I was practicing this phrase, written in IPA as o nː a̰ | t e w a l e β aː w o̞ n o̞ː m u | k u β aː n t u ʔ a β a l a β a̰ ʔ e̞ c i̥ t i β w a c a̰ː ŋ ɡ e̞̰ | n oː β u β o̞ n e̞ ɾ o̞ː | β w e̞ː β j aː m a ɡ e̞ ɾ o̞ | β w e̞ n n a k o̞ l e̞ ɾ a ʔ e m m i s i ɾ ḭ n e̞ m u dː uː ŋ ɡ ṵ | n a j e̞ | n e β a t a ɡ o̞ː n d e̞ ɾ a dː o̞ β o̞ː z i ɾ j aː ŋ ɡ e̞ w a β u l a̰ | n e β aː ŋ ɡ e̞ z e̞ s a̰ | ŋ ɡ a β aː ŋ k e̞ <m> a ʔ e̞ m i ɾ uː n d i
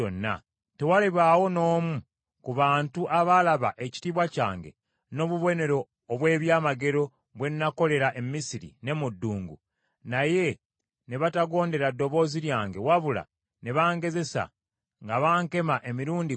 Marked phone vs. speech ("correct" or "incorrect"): correct